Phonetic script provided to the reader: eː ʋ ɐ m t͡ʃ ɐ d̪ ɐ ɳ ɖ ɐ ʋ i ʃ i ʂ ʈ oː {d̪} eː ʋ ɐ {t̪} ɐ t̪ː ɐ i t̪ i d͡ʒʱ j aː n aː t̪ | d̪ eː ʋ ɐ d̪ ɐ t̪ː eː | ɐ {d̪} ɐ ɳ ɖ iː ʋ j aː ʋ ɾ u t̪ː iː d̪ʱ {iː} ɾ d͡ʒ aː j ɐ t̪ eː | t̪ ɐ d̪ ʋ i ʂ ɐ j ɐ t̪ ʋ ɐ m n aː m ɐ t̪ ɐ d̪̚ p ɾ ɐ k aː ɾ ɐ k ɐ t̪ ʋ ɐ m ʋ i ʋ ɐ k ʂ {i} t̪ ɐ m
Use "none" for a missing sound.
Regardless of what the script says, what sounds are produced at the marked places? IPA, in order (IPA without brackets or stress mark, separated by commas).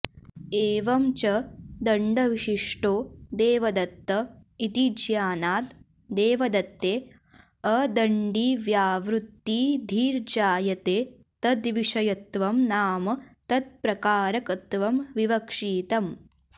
d̪, d̪, d̪, iː, iː